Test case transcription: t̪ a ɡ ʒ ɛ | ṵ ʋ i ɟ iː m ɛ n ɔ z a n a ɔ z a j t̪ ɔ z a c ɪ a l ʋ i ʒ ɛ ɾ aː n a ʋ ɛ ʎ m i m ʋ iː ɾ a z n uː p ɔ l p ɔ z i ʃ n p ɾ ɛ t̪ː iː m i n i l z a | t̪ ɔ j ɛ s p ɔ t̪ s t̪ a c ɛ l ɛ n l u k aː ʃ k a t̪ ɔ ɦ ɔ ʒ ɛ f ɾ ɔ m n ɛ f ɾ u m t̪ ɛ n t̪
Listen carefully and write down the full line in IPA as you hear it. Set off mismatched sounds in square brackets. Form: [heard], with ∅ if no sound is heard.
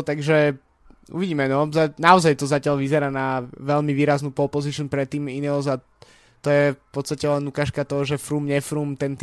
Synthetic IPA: t̪ a ɡ ʒ ɛ | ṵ ʋ i ɟ iː m ɛ n ɔ z a n a ɔ z a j t̪ ɔ z a c ɪ a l ʋ i [z] ɛ ɾ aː n a ʋ ɛ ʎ m i [∅] ʋ iː ɾ a z n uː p ɔ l p ɔ z i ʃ n p ɾ ɛ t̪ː iː m i n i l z a | t̪ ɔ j ɛ [f] p ɔ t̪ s t̪ a c ɛ l ɛ n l u k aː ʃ k a t̪ ɔ ɦ ɔ ʒ ɛ f ɾ [u] m [ɲ] ɛ f ɾ u m t̪ ɛ n t̪